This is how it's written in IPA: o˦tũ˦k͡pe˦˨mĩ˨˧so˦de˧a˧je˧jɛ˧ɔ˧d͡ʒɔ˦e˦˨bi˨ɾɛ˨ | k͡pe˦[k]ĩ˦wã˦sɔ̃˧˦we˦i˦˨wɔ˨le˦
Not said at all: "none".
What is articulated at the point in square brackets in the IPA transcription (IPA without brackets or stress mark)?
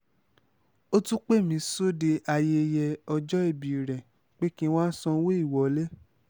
k